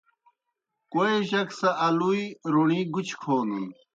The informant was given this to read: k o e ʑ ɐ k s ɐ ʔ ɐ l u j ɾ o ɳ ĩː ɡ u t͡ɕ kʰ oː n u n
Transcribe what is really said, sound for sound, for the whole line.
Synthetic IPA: k o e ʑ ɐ k s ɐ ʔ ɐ l u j ɾ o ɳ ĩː ɡ u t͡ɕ kʰ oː n u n